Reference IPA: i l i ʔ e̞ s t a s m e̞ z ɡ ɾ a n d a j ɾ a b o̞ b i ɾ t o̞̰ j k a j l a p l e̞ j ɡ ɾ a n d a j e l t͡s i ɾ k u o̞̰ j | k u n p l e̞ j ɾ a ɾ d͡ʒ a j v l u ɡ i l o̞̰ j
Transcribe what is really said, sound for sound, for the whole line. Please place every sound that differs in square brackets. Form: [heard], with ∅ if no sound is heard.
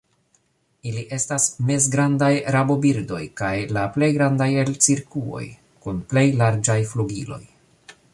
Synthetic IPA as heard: i l i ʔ e̞ s t a s m e̞ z ɡ ɾ a n d a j ɾ a b o̞ b i ɾ [d] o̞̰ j k a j l a p l e̞ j ɡ ɾ a n d a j e l t͡s i ɾ k u o̞̰ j | k u n p l e̞ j [l] a ɾ d͡ʒ a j [f] l u ɡ i l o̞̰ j